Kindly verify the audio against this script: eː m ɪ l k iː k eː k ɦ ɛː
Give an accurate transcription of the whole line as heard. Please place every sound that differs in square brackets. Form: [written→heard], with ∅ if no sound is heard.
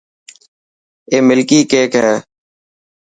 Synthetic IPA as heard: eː m ɪ l k iː k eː k ɦ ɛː